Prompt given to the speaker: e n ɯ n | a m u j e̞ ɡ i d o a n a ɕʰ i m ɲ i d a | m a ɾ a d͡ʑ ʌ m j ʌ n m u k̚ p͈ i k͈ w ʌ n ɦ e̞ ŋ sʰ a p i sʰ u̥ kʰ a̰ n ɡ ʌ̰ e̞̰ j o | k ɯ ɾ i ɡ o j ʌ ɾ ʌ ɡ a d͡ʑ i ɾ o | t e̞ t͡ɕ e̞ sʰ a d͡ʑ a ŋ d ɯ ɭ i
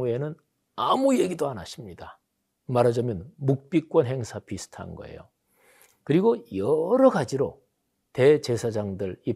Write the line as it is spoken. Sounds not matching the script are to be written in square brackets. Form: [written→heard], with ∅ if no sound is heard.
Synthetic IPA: e n ɯ n | a m u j e̞ ɡ i d o a n a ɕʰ i m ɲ i d a | m a ɾ a d͡ʑ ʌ m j ʌ n m u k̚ p͈ i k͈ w ʌ n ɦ e̞ ŋ sʰ a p i sʰ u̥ [kʰ→tʰ] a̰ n ɡ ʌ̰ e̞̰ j o | k ɯ ɾ i ɡ o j ʌ ɾ ʌ ɡ a d͡ʑ i ɾ o | t e̞ t͡ɕ e̞ sʰ a d͡ʑ a ŋ d ɯ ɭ i